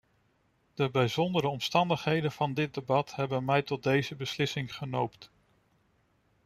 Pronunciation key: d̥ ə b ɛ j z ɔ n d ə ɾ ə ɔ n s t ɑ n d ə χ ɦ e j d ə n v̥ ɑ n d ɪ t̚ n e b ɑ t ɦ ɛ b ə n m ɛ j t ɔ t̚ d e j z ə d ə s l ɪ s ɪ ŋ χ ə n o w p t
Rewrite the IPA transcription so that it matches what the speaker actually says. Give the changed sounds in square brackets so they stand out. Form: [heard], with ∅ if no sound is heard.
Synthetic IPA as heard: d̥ ə b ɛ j z ɔ n d ə ɾ ə ɔ [m] s t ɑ n d ə χ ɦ e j d ə n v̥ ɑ n d ɪ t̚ [d] e b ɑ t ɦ ɛ b ə n m ɛ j t ɔ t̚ d e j z ə [b] ə s l ɪ s ɪ ŋ χ ə n o w p t